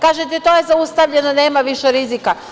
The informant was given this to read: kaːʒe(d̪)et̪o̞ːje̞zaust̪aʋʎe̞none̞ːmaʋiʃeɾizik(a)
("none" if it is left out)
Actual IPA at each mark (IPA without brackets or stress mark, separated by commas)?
t̪, a